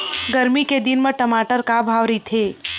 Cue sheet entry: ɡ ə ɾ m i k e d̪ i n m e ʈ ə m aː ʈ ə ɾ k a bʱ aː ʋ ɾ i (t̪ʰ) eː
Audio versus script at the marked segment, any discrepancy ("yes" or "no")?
no